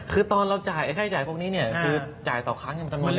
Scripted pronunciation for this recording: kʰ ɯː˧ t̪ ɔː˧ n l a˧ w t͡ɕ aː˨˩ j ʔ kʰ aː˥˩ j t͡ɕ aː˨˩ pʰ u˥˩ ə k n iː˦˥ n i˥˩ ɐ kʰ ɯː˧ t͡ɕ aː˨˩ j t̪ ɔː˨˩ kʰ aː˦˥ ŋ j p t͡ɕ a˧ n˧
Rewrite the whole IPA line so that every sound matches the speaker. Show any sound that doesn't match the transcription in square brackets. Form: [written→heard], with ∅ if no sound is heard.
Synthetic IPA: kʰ ɯː˧ t̪ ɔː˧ n [l→ɾ] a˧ w t͡ɕ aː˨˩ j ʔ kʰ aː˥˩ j t͡ɕ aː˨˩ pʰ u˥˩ ə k n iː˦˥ n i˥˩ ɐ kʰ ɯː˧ t͡ɕ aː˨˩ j t̪ ɔː˨˩ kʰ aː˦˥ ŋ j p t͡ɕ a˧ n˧